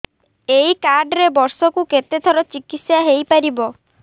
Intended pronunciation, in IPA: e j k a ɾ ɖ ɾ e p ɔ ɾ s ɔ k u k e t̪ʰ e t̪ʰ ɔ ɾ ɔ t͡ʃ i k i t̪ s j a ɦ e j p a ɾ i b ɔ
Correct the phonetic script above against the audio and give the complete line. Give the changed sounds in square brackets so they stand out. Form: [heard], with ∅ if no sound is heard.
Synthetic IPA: e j k a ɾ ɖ ɾ e [b] ɔ ɾ s ɔ k u k e [t̪] e t̪ʰ ɔ ɾ ɔ t͡ʃ i k i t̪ s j a ɦ e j p a ɾ i b ɔ